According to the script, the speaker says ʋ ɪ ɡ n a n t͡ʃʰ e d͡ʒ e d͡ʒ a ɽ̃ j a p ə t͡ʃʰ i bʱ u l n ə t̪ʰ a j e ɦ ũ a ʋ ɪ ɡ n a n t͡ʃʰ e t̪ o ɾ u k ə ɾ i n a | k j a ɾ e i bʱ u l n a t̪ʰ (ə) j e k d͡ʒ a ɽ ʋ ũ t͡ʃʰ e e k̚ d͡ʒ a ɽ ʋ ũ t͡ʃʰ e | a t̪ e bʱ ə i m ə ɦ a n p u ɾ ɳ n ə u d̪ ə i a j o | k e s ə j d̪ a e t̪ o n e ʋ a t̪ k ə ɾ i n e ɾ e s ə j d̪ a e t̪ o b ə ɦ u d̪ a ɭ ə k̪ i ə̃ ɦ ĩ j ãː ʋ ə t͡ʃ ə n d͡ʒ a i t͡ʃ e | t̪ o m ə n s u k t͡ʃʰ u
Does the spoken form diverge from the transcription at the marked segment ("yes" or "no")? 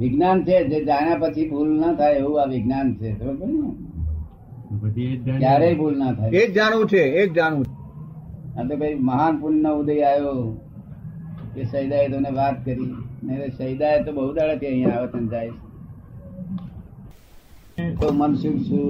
yes